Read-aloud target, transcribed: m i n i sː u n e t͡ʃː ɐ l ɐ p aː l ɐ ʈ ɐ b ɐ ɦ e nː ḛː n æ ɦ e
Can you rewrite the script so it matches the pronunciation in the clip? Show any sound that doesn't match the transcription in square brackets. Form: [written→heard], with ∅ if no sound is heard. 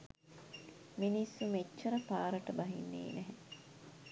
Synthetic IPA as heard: m i n i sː u [n→m] e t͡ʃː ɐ [l→ɾ] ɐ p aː [l→ɾ] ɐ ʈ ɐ b ɐ ɦ [e→i] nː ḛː n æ ɦ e